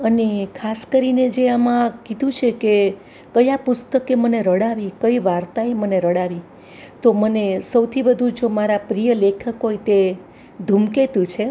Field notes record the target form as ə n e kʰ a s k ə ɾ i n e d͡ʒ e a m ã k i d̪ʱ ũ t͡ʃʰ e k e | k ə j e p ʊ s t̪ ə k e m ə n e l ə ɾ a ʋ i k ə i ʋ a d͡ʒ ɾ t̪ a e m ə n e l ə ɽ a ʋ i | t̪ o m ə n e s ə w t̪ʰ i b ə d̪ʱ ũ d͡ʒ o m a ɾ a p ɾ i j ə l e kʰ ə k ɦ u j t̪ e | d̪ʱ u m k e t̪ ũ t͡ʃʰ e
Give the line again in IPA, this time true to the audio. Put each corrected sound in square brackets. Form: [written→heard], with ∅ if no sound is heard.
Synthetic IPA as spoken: ə n e kʰ a s k ə ɾ i n e d͡ʒ e a m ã k i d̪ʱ ũ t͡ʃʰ e k e | k ə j [e→a] p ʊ s t̪ ə k e m ə n e [l→ɾ] ə [ɾ→ɽ] a ʋ i k ə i ʋ a [d͡ʒ→∅] ɾ t̪ a e m ə n e [l→ɾ] ə ɽ a ʋ i | t̪ o m ə n e s ə w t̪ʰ i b ə d̪ʱ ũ d͡ʒ o m a ɾ a p ɾ i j ə l e kʰ ə k ɦ [u→o] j t̪ e | d̪ʱ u m k e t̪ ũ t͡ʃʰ e